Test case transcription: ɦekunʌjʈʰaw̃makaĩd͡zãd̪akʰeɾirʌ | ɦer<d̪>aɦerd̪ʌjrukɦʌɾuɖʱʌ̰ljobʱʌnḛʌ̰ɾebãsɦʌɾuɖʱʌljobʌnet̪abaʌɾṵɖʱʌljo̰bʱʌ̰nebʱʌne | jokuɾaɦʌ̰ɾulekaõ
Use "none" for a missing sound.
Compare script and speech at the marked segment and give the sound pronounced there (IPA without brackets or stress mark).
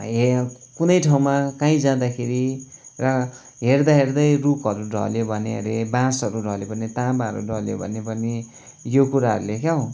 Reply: d̪